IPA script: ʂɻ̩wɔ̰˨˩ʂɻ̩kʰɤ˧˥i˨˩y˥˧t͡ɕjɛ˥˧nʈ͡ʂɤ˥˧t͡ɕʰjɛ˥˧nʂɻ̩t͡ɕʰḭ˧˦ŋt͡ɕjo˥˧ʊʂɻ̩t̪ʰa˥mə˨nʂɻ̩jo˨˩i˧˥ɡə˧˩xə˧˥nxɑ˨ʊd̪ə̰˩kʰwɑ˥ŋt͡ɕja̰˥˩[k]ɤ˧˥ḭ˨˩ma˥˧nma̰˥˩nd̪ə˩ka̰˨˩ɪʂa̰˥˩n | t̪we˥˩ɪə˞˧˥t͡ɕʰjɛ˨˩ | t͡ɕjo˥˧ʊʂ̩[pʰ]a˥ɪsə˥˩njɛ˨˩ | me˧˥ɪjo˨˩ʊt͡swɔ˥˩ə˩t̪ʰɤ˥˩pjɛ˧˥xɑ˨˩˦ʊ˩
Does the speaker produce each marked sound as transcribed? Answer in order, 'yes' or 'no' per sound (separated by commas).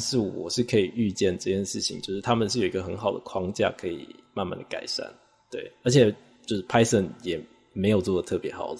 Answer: no, yes